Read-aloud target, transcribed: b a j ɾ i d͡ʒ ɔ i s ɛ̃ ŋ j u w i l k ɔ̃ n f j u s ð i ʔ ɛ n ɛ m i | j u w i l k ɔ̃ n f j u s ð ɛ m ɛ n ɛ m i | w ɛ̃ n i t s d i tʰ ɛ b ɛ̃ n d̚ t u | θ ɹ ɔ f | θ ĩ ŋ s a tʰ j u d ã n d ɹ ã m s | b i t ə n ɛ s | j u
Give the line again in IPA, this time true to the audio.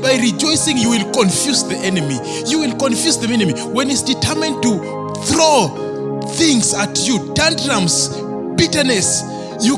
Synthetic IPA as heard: b a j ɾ i d͡ʒ ɔ j s ĩ ŋ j u w i l k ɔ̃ n f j u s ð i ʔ ɛ n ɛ m i | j u w i l k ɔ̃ n f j u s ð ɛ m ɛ n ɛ m i | w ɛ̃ n i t s d i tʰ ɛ m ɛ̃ n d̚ t u | θ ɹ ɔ | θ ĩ ŋ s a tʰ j u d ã n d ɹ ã m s | b i t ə n ɛ s | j u

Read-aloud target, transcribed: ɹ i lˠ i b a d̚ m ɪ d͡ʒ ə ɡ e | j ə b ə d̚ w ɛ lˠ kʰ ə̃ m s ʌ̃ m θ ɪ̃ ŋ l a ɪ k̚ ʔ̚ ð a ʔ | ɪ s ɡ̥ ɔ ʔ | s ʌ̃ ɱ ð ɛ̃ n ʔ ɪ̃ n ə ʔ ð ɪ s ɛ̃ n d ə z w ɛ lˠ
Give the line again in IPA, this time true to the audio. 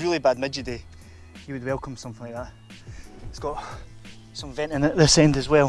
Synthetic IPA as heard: ɹ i lˠ i b a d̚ m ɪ d͡ʒ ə d e | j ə w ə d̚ w ɛ lˠ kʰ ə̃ m s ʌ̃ m θ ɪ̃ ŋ l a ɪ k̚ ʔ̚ ð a ʔ | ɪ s ɡ̥ ɔ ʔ | s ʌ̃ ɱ v ɛ̃ n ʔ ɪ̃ n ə ʔ ð ɪ s ɛ̃ n d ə z w ɛ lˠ

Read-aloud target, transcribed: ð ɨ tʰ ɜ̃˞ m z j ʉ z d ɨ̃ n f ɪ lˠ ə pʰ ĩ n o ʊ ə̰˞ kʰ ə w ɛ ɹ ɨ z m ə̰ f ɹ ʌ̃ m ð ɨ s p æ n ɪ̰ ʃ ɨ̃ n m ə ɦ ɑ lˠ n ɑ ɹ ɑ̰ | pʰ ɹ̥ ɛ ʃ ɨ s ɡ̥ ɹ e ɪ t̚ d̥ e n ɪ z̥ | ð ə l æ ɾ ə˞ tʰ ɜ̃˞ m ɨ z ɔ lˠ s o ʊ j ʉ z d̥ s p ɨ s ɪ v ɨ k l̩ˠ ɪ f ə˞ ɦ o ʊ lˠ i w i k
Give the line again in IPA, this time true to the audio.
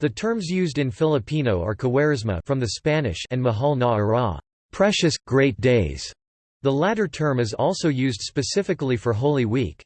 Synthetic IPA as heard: ð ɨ tʰ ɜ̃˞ m z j ʉ z d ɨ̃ n f ɪ lˠ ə pʰ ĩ n o ʊ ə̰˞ kʰ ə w ɛ ɹ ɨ z m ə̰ f ɹ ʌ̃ m ð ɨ s p æ n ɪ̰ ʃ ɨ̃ n m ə ɦ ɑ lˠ n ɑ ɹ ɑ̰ | pʰ ɹ̥ ɛ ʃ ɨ s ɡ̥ ɹ e ɪ t̚ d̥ e ɪ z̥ | ð ə l æ ɾ ə˞ tʰ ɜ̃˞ m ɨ z ɔ lˠ s o ʊ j ʉ z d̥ s p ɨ s ɪ f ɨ k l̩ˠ i f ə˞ ɦ o ʊ lˠ i w i k

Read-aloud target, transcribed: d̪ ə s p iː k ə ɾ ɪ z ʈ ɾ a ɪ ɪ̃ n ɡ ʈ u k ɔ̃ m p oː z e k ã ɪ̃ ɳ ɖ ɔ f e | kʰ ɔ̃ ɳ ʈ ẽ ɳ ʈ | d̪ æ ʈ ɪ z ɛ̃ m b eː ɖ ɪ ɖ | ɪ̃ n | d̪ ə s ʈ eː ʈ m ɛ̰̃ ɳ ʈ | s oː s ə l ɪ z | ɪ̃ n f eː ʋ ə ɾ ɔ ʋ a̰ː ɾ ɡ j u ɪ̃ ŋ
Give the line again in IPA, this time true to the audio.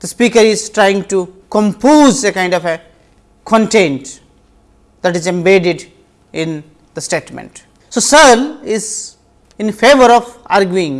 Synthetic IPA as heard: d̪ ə s p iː k ə ɾ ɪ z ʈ ɾ a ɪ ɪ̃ ŋ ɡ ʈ u k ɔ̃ m p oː z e k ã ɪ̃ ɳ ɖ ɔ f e | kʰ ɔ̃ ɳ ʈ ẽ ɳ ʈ | d̪ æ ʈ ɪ z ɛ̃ m b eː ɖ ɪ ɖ | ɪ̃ n | d̪ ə s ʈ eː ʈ m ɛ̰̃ ɳ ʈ | s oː s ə l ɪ z | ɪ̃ n f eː ʋ ə ɾ ɔ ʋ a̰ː ɾ ɡ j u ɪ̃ ŋ

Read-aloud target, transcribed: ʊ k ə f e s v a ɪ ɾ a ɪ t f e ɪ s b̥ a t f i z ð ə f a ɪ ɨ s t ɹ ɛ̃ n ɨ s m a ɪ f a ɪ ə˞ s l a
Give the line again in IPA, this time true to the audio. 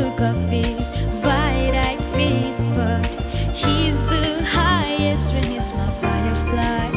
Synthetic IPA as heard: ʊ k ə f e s v a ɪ ɾ a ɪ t f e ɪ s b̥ ʌ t h i z ð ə h a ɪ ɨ s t ɹ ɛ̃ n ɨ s m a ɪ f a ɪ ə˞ f l a

